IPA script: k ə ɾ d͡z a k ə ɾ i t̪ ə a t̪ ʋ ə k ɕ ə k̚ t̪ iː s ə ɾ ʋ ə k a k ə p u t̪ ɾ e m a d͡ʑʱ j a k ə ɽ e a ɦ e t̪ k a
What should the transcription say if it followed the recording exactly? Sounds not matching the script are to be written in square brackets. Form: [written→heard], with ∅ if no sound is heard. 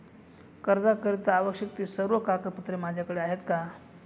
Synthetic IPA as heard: k ə ɾ d͡z a k ə ɾ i t̪ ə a [t̪→∅] ʋ ə k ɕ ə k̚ t̪ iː s ə ɾ ʋ ə k a k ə p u t̪ ɾ e m a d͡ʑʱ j a k ə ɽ e a ɦ e t̪ k a